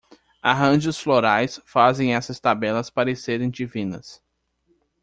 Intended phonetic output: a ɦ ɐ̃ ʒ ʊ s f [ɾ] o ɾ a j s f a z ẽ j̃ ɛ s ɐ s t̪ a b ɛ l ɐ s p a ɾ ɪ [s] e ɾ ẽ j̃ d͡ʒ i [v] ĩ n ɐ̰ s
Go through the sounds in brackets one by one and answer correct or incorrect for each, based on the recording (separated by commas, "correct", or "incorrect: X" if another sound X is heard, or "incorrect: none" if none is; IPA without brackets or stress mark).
incorrect: l, correct, correct